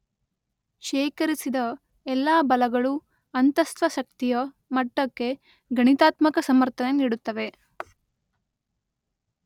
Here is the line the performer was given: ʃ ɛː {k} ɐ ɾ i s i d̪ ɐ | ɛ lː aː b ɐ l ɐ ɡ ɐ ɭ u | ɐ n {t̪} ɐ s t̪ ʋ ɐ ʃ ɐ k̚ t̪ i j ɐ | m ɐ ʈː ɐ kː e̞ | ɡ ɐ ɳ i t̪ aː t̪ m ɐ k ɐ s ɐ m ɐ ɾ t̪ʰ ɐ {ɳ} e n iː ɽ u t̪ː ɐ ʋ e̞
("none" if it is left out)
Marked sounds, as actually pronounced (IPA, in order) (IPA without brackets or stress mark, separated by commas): k, t̪, n